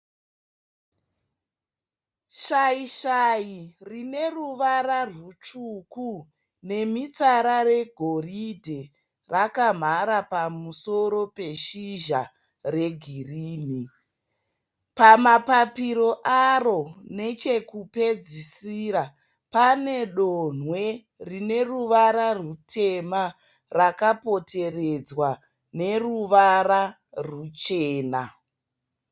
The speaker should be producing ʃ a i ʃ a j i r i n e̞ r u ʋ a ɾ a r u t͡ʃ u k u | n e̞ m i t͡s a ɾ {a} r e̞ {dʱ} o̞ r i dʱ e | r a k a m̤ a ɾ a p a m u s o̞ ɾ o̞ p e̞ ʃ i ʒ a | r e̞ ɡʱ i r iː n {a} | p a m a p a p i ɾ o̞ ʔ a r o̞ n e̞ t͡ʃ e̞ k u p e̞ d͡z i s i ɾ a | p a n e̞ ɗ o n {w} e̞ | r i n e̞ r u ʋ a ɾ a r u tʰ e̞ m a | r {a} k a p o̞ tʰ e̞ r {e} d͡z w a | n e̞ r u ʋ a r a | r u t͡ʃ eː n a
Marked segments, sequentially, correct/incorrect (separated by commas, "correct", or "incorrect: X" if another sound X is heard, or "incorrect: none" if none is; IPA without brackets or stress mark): correct, incorrect: ɡʱ, incorrect: i, correct, correct, correct